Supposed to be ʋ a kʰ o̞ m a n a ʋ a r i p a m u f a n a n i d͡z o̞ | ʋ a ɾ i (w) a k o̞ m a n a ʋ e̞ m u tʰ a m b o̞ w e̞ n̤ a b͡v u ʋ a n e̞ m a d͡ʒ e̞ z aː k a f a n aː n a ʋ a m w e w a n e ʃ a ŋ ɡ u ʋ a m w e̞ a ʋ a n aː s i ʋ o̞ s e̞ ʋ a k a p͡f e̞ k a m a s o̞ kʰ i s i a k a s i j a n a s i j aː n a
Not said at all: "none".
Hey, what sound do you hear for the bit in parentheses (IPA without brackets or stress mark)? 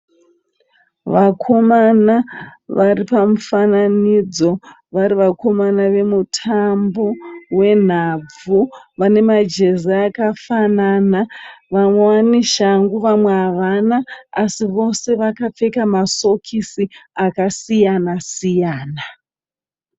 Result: ʋ